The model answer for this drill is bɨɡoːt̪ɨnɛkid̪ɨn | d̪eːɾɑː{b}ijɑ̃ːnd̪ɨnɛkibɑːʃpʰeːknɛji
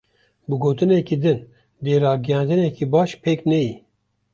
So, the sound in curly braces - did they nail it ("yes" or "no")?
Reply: no